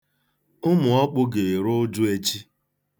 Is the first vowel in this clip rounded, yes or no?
yes